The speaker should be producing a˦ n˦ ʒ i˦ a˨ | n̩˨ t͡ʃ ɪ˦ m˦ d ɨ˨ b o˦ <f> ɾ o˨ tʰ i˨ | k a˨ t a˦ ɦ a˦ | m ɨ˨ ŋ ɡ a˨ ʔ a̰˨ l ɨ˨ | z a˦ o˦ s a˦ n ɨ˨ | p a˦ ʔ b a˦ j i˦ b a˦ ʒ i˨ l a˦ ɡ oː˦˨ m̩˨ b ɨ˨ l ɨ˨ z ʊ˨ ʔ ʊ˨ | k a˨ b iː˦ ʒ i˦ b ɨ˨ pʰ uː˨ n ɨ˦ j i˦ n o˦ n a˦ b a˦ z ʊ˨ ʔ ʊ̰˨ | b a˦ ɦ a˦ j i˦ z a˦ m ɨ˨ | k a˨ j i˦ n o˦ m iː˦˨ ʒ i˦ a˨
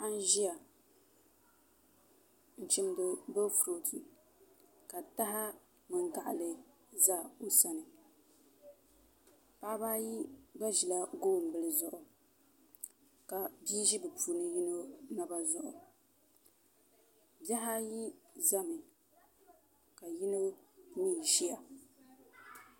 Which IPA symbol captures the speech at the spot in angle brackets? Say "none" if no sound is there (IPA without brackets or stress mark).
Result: f